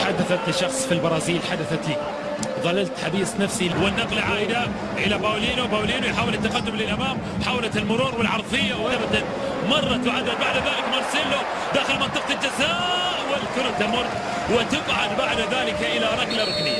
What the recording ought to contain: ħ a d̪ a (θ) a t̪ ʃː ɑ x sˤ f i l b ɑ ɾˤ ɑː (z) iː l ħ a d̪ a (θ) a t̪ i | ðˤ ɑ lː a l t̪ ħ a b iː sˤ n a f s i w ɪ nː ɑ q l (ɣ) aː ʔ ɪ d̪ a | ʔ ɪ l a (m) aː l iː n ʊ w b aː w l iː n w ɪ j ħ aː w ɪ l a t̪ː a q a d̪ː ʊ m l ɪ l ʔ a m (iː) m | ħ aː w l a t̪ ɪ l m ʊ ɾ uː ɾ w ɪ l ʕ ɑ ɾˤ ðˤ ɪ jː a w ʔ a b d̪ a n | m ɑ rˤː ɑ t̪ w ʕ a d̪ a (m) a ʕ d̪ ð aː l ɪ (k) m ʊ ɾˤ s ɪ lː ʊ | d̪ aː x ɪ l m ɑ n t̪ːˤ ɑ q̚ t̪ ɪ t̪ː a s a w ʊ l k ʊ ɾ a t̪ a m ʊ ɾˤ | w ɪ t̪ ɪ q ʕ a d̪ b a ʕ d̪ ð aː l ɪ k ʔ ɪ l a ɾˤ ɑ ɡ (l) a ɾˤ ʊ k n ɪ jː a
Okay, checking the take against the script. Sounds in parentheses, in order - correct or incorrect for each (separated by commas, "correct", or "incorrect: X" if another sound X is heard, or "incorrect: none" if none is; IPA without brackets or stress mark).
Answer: correct, correct, correct, incorrect: ʕ, incorrect: b, incorrect: aː, incorrect: b, correct, correct